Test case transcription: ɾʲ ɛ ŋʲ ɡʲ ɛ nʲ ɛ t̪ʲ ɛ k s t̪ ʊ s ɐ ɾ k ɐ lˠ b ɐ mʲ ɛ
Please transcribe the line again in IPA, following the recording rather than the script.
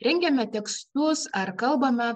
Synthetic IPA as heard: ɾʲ ɛ ŋʲ ɡʲ ɛ mʲ ɛ t̪ʲ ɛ k s t̪ ʊ s ɐ ɾ k ɐ lˠ b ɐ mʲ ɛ